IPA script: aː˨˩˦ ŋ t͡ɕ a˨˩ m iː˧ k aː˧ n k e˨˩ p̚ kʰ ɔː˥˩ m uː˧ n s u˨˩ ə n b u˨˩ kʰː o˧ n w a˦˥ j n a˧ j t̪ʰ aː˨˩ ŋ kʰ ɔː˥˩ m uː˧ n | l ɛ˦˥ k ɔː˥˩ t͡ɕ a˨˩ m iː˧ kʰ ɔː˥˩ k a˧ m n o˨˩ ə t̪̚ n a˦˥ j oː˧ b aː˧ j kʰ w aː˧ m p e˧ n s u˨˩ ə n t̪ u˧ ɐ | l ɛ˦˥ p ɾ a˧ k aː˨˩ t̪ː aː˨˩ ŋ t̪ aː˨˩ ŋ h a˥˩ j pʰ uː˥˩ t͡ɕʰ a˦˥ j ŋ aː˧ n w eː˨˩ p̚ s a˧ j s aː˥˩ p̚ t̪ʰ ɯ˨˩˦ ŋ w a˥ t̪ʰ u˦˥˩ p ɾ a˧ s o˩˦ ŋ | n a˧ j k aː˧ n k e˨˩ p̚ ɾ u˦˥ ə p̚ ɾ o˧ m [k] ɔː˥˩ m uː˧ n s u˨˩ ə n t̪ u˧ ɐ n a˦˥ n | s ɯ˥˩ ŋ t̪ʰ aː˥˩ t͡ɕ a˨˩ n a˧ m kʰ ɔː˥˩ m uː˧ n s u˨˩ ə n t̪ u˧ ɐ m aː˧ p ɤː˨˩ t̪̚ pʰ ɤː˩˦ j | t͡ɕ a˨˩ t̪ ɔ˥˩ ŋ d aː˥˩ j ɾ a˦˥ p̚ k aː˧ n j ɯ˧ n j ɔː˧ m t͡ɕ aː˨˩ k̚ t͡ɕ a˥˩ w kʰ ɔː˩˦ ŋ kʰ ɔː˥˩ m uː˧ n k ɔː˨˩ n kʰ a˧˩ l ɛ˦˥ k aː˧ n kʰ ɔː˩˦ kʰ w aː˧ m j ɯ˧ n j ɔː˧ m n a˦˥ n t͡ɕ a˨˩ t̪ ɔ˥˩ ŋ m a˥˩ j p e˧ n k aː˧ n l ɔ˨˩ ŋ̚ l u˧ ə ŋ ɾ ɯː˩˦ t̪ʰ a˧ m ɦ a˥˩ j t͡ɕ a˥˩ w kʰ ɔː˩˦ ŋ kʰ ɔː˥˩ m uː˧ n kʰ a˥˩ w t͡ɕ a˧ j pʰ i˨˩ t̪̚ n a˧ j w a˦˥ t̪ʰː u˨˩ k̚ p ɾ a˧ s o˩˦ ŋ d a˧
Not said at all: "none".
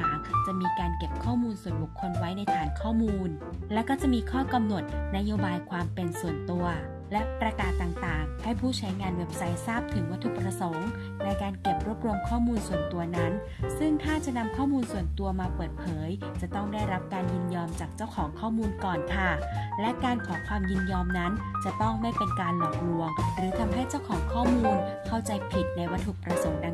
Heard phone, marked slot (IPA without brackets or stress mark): kʰ